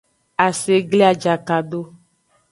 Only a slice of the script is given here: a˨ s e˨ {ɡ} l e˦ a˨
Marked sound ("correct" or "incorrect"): correct